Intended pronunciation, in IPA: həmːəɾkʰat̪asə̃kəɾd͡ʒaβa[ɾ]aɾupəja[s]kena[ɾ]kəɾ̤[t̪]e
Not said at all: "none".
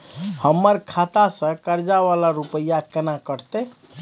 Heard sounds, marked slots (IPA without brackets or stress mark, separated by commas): l, none, none, t̪